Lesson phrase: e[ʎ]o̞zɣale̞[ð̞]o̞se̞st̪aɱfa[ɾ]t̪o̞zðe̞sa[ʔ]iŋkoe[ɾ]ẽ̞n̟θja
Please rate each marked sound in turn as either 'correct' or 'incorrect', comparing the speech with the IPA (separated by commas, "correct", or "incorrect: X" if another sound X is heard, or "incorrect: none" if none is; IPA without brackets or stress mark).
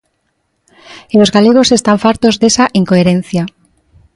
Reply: incorrect: l, incorrect: ɣ̞, correct, correct, correct